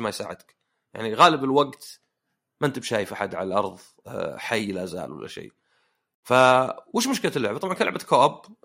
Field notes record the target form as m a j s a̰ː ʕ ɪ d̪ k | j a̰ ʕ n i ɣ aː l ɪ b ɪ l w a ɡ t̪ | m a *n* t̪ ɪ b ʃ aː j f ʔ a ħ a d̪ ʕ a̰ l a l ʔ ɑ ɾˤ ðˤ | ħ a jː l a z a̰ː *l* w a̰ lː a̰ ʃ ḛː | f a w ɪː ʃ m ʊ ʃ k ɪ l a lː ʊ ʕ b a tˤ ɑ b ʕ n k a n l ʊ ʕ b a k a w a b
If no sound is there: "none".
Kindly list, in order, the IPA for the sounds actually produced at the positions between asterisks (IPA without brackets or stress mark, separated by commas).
n, l